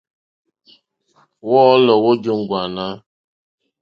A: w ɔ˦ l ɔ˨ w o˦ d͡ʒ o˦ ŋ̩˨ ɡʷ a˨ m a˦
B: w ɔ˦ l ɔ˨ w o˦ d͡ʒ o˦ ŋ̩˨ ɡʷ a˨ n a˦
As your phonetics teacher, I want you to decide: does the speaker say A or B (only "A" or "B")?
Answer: B